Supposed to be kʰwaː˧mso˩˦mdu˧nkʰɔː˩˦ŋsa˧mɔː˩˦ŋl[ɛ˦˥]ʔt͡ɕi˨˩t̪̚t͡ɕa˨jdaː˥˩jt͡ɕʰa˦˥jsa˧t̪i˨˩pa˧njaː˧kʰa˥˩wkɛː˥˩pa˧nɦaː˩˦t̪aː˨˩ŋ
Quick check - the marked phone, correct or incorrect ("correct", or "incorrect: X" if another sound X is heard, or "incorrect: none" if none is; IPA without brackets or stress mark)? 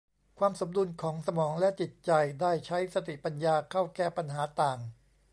correct